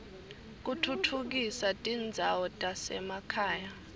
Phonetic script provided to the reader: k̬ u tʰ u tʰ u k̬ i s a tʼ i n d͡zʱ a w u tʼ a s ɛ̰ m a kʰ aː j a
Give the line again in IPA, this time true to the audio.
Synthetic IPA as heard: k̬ u tʰ u tʰ u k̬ i s a tʼ i n d͡zʱ a w ɔ tʼ a s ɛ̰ m a kʰ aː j a